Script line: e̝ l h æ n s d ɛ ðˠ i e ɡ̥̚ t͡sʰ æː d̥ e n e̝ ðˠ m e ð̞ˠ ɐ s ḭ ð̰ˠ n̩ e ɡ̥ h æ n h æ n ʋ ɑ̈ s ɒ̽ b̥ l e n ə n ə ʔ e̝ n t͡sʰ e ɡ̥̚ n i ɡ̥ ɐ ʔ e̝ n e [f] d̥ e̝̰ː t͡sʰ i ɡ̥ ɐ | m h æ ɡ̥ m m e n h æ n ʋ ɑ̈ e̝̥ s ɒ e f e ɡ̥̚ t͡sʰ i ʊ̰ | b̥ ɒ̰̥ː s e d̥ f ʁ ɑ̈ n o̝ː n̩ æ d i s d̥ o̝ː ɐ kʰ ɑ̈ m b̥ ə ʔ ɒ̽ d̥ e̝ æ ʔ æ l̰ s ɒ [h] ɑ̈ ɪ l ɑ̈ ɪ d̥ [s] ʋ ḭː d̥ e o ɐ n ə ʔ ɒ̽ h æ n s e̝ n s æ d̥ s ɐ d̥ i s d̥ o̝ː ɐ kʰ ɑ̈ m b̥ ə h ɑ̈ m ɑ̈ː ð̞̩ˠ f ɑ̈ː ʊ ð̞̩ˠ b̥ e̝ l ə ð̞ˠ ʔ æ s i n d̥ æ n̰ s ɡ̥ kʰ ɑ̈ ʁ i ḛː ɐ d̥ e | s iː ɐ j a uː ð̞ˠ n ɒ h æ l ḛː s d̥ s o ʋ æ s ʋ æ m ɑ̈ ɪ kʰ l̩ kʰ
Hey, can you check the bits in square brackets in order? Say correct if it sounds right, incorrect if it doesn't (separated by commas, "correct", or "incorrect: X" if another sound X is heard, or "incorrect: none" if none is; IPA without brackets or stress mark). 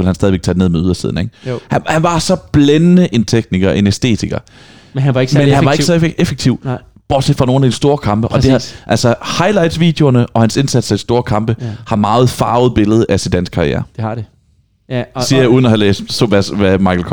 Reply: incorrect: s, correct, correct